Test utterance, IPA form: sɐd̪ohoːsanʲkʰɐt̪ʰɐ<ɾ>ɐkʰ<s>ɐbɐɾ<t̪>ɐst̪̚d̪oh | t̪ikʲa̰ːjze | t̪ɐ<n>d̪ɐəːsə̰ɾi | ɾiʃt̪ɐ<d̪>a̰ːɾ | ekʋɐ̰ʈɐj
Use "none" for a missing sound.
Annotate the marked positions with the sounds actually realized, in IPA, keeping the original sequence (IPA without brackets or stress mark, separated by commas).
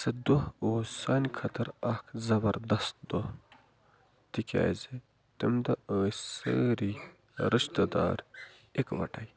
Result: ɾ, z, d̪, m, d̪